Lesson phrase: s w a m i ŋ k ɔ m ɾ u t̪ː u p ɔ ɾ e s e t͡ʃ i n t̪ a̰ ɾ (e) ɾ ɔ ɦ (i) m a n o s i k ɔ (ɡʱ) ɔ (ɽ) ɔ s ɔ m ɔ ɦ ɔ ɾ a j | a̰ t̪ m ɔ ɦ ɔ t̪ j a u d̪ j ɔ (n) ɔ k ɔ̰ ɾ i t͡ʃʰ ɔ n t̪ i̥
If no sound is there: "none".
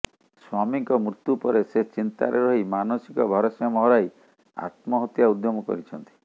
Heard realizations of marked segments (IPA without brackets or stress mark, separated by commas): e, i, bʱ, ɾ, m